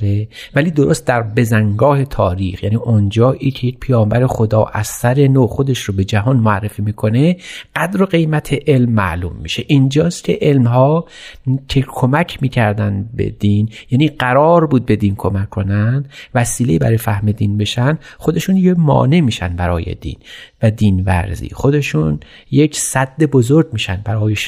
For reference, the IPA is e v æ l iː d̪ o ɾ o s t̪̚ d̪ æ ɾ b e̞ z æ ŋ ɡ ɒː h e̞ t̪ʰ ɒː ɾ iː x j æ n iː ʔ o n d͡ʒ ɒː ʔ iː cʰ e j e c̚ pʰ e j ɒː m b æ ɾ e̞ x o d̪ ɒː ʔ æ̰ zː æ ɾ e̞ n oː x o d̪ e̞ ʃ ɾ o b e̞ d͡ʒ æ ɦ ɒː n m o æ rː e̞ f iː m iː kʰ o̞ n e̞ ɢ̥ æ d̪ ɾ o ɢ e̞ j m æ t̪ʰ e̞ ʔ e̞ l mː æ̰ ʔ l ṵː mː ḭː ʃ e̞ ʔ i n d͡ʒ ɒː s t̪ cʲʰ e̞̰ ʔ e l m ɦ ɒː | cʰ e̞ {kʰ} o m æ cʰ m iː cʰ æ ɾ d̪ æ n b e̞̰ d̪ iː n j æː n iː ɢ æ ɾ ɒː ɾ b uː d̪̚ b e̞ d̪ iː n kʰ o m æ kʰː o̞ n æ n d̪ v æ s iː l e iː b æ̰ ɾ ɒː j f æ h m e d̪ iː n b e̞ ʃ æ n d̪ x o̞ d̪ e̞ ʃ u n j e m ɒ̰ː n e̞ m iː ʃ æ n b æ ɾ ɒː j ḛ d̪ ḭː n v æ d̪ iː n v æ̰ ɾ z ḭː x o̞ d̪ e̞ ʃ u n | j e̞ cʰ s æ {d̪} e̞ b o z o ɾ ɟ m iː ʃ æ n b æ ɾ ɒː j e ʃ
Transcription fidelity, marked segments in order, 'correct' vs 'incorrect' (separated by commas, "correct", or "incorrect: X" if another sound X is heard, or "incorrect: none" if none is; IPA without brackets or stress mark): correct, incorrect: d̪ː